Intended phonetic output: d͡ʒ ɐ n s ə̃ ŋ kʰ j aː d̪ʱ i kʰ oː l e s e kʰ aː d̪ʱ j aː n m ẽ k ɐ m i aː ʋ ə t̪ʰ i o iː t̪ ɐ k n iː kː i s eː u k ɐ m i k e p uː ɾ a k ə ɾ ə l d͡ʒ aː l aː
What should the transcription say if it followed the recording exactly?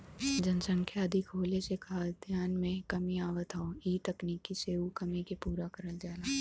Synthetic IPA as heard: d͡ʒ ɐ n s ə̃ ŋ kʰ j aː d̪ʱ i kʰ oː l e s e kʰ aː d̪ʱ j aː n m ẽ k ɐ m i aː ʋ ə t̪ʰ a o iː t̪ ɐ k n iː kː i s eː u k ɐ m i k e p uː ɾ a k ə ɾ ə l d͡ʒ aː l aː